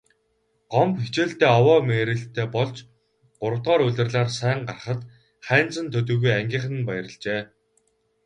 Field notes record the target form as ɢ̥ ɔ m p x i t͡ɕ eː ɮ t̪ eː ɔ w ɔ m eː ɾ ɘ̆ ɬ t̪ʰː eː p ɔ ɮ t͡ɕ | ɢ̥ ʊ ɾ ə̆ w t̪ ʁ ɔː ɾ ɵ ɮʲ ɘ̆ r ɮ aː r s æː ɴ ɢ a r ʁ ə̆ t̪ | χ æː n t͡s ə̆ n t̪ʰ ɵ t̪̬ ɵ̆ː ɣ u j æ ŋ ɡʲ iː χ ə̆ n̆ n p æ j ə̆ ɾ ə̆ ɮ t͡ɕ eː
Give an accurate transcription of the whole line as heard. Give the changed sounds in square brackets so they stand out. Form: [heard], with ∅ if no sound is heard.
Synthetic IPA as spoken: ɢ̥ ɔ m p x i t͡ɕ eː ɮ t̪ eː ɔ w [ɔː] m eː ɾ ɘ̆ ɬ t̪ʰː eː p ɔ ɮ t͡ɕ | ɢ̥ ʊ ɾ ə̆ w t̪ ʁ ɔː ɾ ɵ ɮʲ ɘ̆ r ɮ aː r s æː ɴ ɢ a r [χ] ə̆ t̪ | χ æː n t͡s ə̆ n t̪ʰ ɵ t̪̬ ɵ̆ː ɣ u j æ ŋ ɡʲ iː χ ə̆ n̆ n p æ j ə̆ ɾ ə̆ ɮ t͡ɕ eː